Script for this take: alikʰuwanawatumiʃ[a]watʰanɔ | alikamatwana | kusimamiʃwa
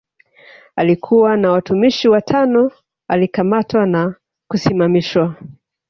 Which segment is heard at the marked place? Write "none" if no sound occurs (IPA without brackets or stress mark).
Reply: i